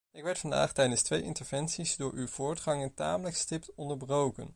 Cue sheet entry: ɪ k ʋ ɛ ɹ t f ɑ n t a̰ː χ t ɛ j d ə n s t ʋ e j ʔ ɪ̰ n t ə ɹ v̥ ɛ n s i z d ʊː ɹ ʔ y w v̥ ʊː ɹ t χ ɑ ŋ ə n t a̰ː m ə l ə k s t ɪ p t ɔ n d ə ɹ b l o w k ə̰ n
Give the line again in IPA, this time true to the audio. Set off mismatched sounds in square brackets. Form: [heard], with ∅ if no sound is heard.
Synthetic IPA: ɪ k ʋ ɛ ɹ t f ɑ n [d] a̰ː χ t ɛ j d ə n s t ʋ e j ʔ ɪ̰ n t ə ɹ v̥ ɛ n s i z d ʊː ɹ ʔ y w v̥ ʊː ɹ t χ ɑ ŋ ə n t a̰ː m ə l ə k s t ɪ p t ɔ n d ə ɹ b [r] o w k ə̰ n

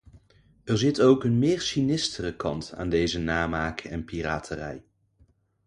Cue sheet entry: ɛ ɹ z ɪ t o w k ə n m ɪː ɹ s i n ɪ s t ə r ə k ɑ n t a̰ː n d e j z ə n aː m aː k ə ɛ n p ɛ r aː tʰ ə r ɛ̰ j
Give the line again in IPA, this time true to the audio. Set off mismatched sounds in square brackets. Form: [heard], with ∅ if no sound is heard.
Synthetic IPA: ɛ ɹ z ɪ t o w k ə n m ɪː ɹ s i n ɪ s t ə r ə k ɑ n t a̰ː n d e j z ə n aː m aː k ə ɛ n p [i] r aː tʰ ə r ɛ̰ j

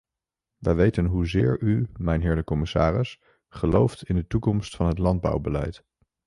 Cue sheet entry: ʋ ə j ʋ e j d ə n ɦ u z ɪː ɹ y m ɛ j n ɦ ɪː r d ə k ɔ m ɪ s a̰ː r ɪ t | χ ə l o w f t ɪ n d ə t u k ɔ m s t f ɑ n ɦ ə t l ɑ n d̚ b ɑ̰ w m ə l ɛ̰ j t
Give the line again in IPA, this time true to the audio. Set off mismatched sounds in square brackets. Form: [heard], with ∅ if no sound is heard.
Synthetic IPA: ʋ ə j ʋ e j [t] ə n ɦ u z ɪː ɹ y m ɛ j n ɦ ɪː [ɹ] d ə k ɔ m ɪ s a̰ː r ɪ [s] | χ ə l o w f t ɪ n d ə t u k ɔ m s t f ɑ n ɦ ə t l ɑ n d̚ b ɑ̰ w [b] ə l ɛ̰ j t

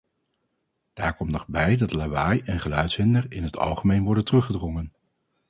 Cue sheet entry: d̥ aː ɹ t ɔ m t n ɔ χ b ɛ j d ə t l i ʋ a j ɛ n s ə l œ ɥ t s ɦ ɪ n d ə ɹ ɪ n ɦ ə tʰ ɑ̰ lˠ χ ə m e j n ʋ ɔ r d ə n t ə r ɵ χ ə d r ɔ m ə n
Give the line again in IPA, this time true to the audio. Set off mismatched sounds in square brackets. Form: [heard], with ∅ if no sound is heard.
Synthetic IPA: d̥ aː ɹ [k] ɔ m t n ɔ χ b ɛ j d [ɑ] t l [a] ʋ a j ɛ n [χ] ə l œ ɥ t s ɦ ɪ n d ə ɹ ɪ n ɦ ə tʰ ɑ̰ lˠ χ ə m e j n ʋ ɔ [ɹ] d ə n t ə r ɵ χ ə d r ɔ [ŋ] ə n

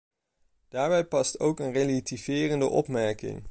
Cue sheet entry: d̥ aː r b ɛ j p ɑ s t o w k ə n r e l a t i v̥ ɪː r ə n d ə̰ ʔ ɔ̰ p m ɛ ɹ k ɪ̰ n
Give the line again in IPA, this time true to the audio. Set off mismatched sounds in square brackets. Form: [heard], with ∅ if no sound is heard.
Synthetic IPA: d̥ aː [ɹ] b ɛ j p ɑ s t o w k ə n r e l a t i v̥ ɪː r ə n d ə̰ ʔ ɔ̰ p m ɛ ɹ k ɪ̰ [ŋ]

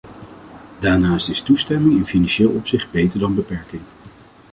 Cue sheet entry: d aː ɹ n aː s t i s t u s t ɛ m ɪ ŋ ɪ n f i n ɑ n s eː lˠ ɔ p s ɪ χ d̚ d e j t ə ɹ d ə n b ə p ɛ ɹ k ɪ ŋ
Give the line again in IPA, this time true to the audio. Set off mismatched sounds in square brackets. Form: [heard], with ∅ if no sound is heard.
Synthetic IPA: d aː ɹ n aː s t [ɪ] s t u s t ɛ m ɪ ŋ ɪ n f i n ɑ n [ʃ] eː lˠ ɔ p s ɪ χ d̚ [b] e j t ə ɹ d [ɑ] n b ə p ɛ ɹ k ɪ ŋ

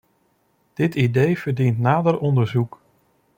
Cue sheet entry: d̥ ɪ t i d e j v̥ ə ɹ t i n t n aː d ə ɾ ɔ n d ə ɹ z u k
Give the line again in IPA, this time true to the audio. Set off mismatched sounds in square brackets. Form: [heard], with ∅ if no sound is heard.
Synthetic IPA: d̥ ɪ t i d e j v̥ ə ɹ [d] i n t n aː d ə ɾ ɔ n d ə ɹ z u k

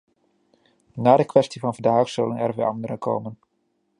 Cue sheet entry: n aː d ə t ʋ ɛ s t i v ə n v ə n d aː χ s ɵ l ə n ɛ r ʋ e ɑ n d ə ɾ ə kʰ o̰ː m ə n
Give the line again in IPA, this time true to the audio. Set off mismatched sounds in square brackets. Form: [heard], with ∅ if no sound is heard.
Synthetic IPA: n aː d ə [k] ʋ ɛ s t i v [ɑ] n v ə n d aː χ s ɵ l ə n ɛ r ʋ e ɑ n d ə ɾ ə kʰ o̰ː m ə n

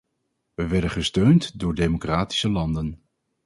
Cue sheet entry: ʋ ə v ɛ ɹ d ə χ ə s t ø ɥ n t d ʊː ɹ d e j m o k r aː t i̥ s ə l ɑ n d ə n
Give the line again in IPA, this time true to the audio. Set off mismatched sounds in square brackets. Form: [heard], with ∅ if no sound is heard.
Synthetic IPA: ʋ ə [ʋ] ɛ ɹ d ə χ ə s t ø ɥ n t d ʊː ɹ d e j m o k r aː t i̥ s ə l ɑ n d ə n

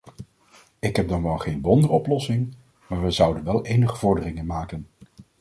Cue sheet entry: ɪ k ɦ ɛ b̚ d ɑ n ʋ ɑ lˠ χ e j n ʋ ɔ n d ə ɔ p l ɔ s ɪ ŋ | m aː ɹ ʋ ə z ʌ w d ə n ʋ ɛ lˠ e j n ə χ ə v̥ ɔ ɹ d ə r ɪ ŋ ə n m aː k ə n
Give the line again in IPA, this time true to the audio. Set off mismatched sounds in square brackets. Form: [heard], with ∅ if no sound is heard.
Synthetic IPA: ɪ k ɦ ɛ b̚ d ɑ n ʋ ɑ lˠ χ e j n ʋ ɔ n d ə ɔ p l ɔ s ɪ ŋ | m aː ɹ ʋ ə z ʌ w d ə n ʋ ɛ lˠ e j n ə χ ə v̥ ɔ ɹ d ə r ɪ ŋ ə n m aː k ə n

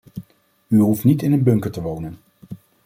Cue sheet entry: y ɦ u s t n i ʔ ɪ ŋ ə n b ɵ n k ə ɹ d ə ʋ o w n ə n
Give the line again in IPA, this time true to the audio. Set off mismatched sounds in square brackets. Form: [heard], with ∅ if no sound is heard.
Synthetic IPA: y ɦ u [f] t n i [t] ɪ [n] ə n b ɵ [ŋ] k ə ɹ [t] ə ʋ o w n ə n

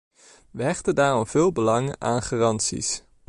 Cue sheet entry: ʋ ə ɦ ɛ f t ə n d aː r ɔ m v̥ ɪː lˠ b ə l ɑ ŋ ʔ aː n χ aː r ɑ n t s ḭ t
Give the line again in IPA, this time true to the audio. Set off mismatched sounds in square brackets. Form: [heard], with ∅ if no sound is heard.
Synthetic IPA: ʋ ə ɦ ɛ [χ] t ə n d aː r ɔ m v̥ ɪː lˠ b ə l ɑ ŋ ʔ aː n χ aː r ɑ n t s ḭ [s]

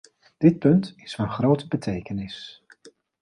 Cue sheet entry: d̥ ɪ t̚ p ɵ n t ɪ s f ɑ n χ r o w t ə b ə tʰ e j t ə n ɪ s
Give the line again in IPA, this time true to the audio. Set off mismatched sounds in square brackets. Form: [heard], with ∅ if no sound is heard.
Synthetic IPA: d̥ ɪ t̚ p ɵ n t ɪ s f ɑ n χ r o w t ə b ə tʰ e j [k] ə n ɪ s

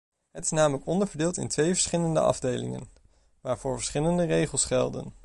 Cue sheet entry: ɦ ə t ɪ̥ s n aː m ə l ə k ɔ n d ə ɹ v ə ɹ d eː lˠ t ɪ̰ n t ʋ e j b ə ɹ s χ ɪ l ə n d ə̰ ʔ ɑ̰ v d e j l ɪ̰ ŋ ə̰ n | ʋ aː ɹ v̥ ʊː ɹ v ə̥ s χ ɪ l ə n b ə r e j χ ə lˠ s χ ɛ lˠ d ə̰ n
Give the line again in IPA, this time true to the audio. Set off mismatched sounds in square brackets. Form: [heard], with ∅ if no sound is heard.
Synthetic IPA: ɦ ə t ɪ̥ s n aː m ə l ə k ɔ n d ə ɹ v ə ɹ d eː lˠ t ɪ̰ n t ʋ e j [v] ə ɹ s χ ɪ l ə n d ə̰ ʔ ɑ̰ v d e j l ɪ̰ ŋ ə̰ n | ʋ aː ɹ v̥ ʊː ɹ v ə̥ s χ ɪ l ə n [d] ə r e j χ ə lˠ s χ ɛ lˠ d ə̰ n

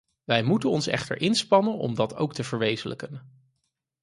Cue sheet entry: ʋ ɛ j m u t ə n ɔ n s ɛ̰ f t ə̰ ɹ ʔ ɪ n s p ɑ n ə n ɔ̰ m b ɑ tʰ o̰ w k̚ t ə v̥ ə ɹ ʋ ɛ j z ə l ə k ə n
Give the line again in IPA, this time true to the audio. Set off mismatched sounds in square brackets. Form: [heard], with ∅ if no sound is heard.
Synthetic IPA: ʋ ɛ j m u t ə n ɔ n s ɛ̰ [χ] t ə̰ ɹ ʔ ɪ n s p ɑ n ə n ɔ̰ m [d] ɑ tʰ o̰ w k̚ t ə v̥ ə ɹ ʋ [e] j z ə l ə k ə n

